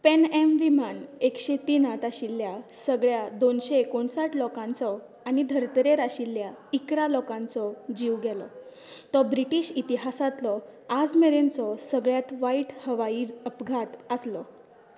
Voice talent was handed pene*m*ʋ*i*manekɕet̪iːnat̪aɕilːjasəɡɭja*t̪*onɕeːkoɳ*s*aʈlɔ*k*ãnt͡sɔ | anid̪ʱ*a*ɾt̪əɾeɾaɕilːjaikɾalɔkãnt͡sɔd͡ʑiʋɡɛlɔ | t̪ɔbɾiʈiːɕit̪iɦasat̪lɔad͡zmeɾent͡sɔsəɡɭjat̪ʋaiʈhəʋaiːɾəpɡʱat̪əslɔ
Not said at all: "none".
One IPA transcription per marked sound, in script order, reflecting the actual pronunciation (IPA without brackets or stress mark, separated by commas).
m, i, d̪, s, k, ə